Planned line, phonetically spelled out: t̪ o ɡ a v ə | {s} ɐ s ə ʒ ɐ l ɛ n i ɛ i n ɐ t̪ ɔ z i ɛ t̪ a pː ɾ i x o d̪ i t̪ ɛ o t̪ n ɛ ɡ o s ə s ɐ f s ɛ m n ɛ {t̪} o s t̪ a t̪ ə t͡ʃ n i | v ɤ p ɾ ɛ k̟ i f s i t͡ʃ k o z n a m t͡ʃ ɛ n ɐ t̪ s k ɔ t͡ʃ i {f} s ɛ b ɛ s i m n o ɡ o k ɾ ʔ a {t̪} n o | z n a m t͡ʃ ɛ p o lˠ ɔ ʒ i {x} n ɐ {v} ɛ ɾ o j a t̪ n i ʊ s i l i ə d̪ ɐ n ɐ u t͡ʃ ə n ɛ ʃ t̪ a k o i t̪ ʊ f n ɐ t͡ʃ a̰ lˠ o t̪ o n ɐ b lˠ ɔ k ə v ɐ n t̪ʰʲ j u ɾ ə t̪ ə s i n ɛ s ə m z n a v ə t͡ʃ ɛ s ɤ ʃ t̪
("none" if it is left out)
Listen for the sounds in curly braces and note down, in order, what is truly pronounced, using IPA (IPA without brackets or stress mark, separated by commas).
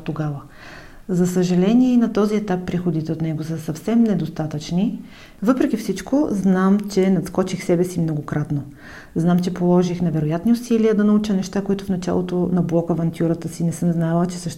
z, d̪, x, t̪, x, v